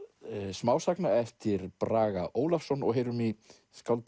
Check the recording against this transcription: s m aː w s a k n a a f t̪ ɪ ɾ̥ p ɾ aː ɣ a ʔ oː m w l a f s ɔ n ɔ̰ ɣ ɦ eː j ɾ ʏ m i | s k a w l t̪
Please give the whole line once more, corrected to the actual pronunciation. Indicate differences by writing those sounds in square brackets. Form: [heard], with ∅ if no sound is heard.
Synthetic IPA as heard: s m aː w s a k n a [ɛ] f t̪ ɪ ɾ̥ p ɾ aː ɣ a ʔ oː [∅] w l a f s ɔ n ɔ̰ ɣ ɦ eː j ɾ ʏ m i | s k a w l t̪